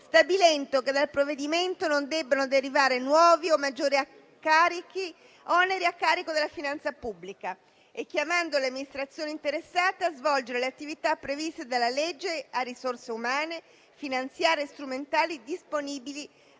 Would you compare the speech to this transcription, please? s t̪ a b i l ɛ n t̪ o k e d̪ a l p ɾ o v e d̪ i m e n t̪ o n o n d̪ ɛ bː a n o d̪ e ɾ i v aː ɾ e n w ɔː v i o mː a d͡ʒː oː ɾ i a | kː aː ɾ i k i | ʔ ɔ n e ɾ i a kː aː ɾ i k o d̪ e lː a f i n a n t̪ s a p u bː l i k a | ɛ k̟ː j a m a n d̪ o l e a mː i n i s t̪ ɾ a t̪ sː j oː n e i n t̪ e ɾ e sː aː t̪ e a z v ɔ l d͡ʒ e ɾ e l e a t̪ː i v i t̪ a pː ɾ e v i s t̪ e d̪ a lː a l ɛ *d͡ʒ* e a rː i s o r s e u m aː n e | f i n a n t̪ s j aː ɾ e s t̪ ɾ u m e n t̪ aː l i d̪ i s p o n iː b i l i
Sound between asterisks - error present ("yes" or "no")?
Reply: yes